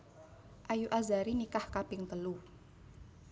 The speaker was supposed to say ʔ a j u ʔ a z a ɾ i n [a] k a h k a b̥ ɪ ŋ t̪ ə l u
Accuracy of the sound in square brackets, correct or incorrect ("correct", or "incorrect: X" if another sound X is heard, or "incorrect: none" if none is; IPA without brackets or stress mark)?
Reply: incorrect: i